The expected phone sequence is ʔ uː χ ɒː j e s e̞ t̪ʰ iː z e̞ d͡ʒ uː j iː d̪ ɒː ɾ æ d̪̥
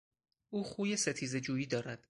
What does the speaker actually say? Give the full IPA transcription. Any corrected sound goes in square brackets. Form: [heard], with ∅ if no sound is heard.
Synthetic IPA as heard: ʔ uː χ [uː] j e s e̞ t̪ʰ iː z e̞ d͡ʒ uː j iː d̪ ɒː ɾ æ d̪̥